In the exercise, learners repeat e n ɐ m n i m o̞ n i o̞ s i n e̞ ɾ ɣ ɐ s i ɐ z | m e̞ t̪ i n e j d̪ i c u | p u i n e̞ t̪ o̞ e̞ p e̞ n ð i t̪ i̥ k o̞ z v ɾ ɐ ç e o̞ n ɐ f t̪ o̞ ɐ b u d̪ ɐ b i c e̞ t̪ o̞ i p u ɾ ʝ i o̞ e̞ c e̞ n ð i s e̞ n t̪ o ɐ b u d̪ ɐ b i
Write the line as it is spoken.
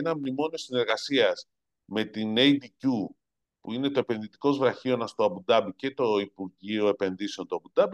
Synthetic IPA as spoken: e n ɐ m n i m o̞ n i o̞ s i n e̞ ɾ ɣ ɐ s i ɐ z | m e̞ t̪ i n e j d̪ i c u | p u i n e̞ t̪ o̞ e̞ p e̞ n ð i t̪ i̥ k o̞ z v ɾ ɐ ç i o̞ n ɐ s t̪ o̞ ɐ b u d̪ ɐ b i c e̞ t̪ o̞ i p u ɾ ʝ i o̞ e̞ p e̞ n ð i s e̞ n t̪ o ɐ b u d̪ ɐ b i